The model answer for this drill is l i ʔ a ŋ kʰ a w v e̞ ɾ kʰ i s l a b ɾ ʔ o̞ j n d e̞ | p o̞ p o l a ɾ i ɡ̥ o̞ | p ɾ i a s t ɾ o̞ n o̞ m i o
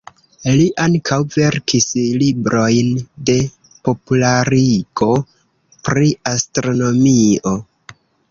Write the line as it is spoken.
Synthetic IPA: l i ʔ a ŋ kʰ a w v e̞ ɾ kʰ i s l i b ɾ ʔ o̞ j n d e̞ | p o̞ p u l a ɾ i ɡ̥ o̞ | p ɾ i a s t ɾ o̞ n o̞ m i o